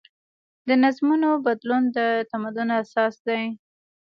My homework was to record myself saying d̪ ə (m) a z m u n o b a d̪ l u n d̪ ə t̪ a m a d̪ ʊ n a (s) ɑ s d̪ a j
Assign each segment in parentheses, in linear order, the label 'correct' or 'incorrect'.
incorrect: n, correct

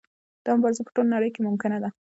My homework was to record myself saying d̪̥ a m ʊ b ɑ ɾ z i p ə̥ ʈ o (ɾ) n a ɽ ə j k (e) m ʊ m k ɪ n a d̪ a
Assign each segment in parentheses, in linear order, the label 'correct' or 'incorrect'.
incorrect: l, correct

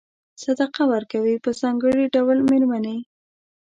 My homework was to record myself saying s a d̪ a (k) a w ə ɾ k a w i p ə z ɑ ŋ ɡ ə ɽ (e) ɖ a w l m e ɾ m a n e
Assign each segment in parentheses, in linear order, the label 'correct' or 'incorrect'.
incorrect: q, incorrect: i

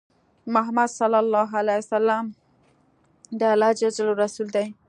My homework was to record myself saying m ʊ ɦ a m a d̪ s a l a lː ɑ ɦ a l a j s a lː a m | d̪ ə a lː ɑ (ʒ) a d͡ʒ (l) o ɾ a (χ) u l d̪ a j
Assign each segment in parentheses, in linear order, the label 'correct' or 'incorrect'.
incorrect: d͡ʒ, correct, incorrect: s

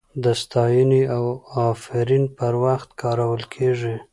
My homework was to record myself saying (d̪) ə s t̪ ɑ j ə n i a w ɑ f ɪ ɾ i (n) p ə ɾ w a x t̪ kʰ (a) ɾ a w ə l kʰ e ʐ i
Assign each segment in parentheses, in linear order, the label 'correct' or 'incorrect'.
correct, correct, incorrect: ɑ

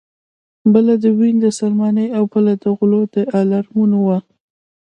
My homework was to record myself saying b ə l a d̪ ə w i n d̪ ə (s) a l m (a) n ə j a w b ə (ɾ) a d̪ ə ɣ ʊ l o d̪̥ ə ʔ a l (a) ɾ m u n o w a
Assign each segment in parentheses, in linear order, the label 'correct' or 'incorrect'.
correct, incorrect: ɑ, incorrect: l, correct

